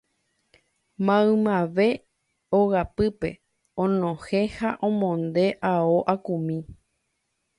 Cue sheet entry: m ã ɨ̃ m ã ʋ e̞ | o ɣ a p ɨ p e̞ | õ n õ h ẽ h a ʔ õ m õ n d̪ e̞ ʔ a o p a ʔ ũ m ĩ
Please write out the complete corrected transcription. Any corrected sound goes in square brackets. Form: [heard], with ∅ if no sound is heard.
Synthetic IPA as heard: m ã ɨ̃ m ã ʋ e̞ | o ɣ a p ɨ p e̞ | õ n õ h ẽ h a ʔ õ m õ n d̪ e̞ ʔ a o [ʔ] a [k] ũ m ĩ